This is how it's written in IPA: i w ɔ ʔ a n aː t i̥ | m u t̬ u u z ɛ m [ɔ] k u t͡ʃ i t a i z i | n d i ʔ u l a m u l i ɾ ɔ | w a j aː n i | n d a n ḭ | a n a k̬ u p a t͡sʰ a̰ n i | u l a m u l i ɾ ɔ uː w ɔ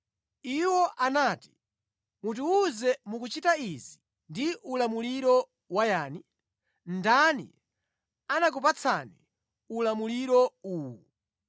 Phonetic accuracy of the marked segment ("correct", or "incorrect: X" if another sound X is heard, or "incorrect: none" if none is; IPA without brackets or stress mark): incorrect: u